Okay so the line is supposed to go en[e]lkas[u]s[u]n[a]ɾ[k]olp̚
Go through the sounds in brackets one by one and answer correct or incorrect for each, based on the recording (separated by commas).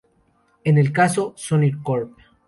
correct, incorrect, incorrect, incorrect, correct